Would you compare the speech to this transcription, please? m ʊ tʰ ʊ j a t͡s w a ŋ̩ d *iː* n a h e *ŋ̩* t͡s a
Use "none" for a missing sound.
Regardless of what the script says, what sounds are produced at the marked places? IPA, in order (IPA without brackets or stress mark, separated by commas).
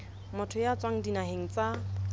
i, ŋ̩